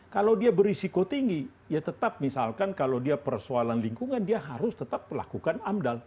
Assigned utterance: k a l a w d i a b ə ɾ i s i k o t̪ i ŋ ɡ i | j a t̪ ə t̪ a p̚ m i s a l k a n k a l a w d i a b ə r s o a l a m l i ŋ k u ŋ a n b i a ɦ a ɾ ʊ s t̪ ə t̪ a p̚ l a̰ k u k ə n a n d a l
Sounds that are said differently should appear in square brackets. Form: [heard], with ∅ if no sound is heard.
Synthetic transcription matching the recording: k a l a w d i a b ə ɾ i s i k o t̪ i ŋ ɡ i | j a t̪ ə t̪ a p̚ m i s a l k a n k a l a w d i a [p] ə r s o a l a [n] l i ŋ k u ŋ a n [d] i a ɦ a ɾ ʊ s t̪ ə t̪ a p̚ l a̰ k u k [a] n a [m] d a l